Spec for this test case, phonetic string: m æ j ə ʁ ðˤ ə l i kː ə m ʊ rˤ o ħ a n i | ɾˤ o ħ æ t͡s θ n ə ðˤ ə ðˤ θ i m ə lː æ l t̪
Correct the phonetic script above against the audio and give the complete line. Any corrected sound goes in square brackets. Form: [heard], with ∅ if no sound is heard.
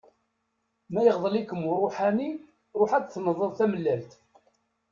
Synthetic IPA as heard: m æ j ə ʁ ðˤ ə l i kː ə m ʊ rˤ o ħ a n i | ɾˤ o ħ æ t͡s θ n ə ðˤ ə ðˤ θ [æ] m ə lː æ l t̪